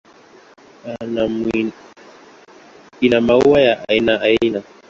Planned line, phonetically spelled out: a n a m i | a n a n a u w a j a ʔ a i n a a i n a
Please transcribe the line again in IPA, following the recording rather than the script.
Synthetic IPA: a n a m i | i n a m a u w a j a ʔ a i n a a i n a